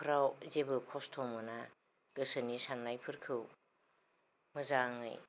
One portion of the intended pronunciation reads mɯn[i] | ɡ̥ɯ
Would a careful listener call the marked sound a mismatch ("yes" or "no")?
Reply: yes